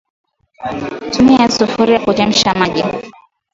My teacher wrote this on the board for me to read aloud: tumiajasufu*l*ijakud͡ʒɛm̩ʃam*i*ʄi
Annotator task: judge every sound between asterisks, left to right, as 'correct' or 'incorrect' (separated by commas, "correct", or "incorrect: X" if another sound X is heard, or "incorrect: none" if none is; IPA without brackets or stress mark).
incorrect: ɾ, incorrect: a